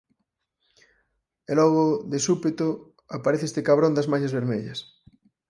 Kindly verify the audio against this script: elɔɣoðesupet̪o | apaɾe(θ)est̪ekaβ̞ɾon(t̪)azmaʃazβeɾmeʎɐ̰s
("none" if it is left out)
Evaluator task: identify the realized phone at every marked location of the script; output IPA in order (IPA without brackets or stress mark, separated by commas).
θ, d̪